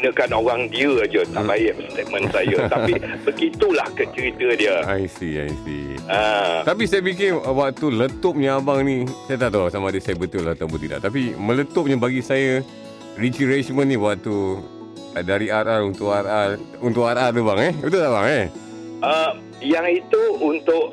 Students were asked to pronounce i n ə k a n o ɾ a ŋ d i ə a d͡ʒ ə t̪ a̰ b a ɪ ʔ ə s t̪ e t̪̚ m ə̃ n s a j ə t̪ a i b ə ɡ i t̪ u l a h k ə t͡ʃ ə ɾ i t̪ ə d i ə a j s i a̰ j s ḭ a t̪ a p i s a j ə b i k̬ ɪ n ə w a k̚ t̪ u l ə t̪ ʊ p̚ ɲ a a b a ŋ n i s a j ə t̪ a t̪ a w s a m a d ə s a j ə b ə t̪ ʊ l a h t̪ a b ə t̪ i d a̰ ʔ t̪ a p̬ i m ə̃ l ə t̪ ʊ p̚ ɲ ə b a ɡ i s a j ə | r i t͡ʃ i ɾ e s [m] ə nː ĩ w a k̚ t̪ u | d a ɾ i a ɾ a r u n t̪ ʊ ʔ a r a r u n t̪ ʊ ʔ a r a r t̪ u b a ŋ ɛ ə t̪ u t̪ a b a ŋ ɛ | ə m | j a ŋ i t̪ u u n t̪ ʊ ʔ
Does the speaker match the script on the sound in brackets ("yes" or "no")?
yes